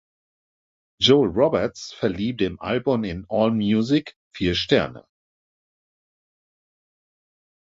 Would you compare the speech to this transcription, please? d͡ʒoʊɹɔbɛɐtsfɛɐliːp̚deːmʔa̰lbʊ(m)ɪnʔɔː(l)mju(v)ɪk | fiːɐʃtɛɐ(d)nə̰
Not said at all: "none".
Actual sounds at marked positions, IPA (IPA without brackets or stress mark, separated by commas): m, l, z, none